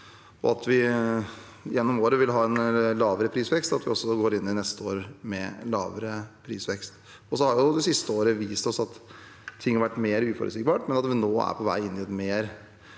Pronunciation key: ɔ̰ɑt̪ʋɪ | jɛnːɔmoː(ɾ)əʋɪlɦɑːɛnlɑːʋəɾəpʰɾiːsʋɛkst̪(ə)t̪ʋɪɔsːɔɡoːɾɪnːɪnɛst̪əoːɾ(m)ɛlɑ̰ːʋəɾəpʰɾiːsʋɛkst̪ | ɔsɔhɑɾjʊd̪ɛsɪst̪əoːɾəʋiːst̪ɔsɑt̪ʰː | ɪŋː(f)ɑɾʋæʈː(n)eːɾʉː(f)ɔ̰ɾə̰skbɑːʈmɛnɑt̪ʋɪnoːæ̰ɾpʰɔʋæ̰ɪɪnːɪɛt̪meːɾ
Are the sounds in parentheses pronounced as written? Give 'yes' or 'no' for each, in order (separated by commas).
yes, no, yes, no, no, yes